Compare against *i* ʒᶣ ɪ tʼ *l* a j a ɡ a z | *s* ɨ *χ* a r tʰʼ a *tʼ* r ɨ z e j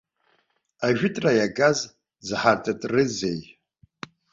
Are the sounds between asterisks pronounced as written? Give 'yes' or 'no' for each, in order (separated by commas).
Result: no, no, no, no, yes